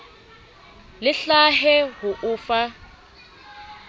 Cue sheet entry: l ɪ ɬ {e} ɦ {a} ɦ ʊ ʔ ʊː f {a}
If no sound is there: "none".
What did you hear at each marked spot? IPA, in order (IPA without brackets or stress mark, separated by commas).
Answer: a, ɛ, a